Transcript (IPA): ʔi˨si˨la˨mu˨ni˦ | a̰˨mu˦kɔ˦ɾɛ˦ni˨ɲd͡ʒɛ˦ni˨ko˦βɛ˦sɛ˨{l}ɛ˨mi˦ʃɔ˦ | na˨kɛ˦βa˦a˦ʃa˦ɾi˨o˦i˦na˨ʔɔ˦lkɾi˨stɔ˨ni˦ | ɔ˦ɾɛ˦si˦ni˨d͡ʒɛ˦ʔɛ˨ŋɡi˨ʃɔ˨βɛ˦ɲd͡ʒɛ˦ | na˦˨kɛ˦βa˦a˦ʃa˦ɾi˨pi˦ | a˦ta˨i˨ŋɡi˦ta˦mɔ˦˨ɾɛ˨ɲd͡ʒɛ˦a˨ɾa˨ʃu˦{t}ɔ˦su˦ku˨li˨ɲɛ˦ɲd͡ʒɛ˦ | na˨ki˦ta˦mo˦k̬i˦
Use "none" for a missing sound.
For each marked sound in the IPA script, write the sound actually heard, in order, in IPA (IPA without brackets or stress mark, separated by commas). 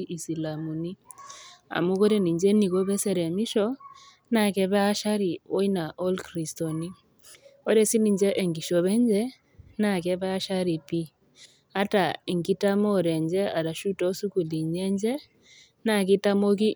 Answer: ɾ, t